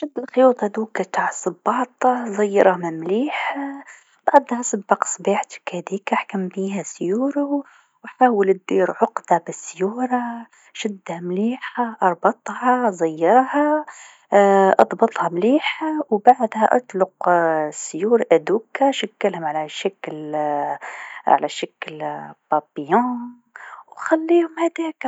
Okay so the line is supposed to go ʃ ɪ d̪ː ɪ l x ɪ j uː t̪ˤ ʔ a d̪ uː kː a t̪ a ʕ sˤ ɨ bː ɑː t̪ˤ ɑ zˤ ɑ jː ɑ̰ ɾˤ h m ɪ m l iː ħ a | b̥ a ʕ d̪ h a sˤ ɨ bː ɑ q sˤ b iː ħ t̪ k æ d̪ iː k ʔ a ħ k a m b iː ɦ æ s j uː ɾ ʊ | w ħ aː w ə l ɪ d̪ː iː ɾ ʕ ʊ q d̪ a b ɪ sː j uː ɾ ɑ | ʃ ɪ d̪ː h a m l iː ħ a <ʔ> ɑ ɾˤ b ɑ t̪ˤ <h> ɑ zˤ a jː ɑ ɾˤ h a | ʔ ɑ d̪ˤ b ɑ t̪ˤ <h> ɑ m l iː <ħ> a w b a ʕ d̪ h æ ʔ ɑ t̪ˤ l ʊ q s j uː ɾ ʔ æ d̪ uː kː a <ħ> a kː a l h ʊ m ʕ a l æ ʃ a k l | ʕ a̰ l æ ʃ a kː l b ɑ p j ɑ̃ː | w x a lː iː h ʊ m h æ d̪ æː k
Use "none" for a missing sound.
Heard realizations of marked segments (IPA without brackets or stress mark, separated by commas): ʔ, h, h, ħ, ʃ